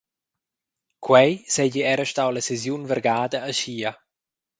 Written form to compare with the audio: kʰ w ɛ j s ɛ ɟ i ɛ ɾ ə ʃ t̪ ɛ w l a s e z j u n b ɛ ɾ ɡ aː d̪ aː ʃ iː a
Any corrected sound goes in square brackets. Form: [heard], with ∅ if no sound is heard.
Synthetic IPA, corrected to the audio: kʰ w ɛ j s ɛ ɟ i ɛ ɾ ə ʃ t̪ [a] w l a s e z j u n [v] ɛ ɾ ɡ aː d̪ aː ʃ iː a